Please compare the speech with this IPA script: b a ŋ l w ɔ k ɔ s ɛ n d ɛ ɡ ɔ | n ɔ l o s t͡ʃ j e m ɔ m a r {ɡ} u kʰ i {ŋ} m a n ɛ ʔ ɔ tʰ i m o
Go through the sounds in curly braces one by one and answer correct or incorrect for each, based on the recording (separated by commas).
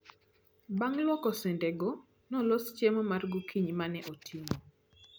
correct, incorrect